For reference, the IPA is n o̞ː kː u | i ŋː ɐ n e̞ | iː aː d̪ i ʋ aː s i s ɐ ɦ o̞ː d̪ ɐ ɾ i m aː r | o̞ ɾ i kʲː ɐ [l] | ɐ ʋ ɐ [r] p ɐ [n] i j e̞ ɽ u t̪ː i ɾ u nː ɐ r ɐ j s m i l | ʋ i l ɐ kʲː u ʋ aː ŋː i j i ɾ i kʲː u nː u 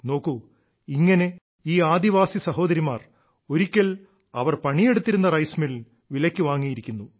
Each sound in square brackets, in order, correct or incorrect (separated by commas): correct, correct, incorrect